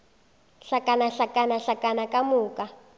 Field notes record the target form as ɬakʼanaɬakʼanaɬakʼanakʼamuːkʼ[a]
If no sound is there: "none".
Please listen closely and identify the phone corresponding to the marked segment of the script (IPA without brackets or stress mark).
a